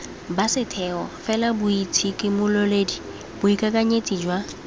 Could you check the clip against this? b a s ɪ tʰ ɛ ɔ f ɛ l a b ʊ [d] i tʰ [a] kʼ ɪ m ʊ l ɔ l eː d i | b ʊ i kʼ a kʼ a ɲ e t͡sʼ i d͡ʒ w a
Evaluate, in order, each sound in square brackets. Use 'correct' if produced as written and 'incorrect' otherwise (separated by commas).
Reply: incorrect, incorrect